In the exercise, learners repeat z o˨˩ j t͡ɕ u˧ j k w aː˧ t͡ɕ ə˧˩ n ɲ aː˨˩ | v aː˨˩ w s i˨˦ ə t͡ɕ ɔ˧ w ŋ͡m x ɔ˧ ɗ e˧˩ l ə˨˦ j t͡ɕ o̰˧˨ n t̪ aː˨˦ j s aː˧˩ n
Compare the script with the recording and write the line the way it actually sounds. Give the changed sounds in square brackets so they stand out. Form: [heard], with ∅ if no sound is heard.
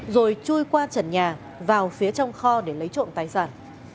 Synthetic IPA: z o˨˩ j t͡ɕ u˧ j k w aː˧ t͡ɕ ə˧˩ n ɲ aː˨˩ | v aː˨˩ w [f] i˨˦ ə t͡ɕ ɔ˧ w ŋ͡m x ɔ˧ ɗ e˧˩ l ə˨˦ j t͡ɕ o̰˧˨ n t̪ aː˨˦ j s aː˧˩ n